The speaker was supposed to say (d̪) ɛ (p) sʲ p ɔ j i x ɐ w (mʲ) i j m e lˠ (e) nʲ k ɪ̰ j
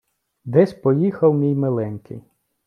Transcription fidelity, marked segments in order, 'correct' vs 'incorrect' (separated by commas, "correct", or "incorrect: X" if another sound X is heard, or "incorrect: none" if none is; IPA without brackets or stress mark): correct, incorrect: none, correct, incorrect: ɛ